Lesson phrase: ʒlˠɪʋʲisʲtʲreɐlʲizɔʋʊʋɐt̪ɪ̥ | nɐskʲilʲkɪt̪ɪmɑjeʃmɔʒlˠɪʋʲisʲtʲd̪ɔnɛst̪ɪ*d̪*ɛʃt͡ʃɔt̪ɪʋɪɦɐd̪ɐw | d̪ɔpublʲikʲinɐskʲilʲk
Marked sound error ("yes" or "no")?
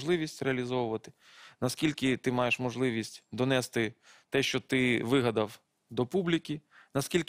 yes